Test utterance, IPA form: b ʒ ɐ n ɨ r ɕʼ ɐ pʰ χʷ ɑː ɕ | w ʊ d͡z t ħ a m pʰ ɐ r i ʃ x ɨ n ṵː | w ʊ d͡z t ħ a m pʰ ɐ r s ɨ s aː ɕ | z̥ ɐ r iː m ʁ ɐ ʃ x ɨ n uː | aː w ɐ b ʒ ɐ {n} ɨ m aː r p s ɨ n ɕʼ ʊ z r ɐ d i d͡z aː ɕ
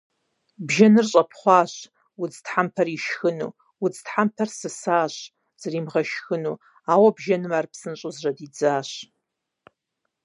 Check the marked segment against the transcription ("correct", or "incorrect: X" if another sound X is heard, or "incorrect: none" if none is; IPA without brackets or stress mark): correct